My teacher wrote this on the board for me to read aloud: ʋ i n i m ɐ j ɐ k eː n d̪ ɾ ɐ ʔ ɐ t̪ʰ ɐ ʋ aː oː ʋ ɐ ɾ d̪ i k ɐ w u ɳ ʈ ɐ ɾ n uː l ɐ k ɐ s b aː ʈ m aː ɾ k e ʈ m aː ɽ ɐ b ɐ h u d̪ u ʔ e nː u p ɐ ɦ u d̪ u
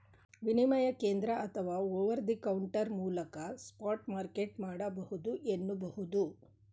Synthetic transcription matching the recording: ʋ i n i m ɐ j ɐ k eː n d̪ ɾ ɐ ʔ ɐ t̪ʰ ɐ ʋ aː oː ʋ ɐ ɾ d̪ i k ɐ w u ɳ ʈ ɐ ɾ m uː l ɐ k ɐ s p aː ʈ m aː ɾ k e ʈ m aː ɽ ɐ b ɐ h u d̪ u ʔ e nː u b ɐ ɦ u d̪ u